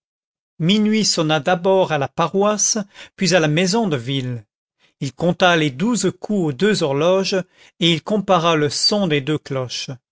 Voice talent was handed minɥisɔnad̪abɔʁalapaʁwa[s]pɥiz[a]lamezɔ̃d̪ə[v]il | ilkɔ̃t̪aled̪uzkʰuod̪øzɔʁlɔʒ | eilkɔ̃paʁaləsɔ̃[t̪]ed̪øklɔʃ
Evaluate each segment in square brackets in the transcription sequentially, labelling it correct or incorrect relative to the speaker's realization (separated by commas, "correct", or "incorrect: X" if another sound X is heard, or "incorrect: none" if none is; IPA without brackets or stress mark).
correct, correct, correct, incorrect: d̪